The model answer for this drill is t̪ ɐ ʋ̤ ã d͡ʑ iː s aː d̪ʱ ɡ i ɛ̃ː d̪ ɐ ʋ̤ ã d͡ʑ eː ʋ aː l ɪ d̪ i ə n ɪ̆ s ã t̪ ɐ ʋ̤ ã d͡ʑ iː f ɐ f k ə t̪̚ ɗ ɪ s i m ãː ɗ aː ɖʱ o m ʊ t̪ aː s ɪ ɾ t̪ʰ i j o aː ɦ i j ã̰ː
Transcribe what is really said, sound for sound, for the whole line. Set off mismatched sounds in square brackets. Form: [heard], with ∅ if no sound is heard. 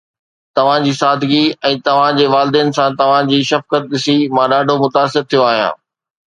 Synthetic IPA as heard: t̪ ɐ ʋ̤ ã d͡ʑ iː s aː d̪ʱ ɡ i ɛ̃ː [t̪] ɐ ʋ̤ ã d͡ʑ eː ʋ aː l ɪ d̪ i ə n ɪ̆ s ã t̪ ɐ ʋ̤ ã d͡ʑ iː [ʃ] ɐ f k ə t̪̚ ɗ ɪ s i m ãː ɗ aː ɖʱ o m ʊ t̪ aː s ɪ ɾ t̪ʰ i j o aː ɦ i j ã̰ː